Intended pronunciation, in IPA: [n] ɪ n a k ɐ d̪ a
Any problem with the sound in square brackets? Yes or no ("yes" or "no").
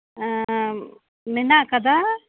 yes